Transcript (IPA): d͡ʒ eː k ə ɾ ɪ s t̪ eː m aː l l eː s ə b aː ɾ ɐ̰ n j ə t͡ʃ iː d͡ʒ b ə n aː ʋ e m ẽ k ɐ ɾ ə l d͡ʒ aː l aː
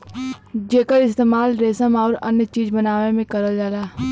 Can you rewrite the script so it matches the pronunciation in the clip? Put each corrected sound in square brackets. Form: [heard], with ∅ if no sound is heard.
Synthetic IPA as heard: d͡ʒ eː k ə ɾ ɪ s t̪ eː m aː l [ɾ] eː s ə [m] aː ɾ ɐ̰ n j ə t͡ʃ iː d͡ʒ b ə n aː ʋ e m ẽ k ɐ ɾ ə l d͡ʒ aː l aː